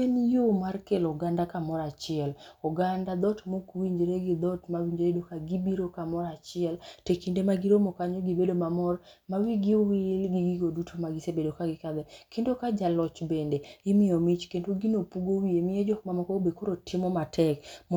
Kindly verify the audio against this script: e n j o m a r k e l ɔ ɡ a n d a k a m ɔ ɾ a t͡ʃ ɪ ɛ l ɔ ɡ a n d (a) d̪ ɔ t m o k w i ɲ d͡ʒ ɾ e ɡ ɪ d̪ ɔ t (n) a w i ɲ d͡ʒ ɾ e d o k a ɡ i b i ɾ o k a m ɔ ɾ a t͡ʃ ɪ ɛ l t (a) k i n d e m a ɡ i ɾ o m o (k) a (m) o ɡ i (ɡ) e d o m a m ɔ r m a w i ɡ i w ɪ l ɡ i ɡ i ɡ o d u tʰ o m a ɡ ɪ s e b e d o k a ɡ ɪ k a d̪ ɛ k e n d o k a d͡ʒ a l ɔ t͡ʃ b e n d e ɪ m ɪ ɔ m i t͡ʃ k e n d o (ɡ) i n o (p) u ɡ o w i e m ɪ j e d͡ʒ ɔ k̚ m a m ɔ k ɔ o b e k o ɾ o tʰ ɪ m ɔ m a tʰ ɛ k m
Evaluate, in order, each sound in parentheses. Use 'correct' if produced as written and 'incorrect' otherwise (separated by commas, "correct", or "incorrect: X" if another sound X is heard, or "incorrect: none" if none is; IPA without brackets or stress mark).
correct, incorrect: m, incorrect: e, correct, incorrect: ɲ, incorrect: b, correct, correct